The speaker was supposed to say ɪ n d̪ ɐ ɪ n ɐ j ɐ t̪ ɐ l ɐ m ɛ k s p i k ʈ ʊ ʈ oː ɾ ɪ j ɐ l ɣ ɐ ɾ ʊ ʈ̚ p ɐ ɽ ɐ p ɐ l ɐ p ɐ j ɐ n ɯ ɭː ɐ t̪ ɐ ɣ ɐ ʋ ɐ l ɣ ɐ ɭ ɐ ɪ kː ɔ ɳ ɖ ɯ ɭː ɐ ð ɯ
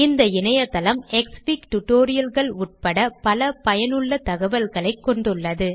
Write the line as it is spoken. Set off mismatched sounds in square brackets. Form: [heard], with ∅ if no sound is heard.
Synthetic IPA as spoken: ɪ n d̪ ɐ ɪ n ɐ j ɐ t̪ ɐ l ɐ m ɛ k s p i k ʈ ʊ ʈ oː ɾ ɪ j ɐ l ɣ ɐ [ɭ] ʊ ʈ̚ p ɐ ɽ ɐ p ɐ l ɐ p ɐ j ɐ n ɯ ɭː ɐ t̪ ɐ ɣ ɐ ʋ ɐ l ɣ ɐ ɭ ɐ ɪ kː ɔ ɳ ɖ ɯ ɭː ɐ ð ɯ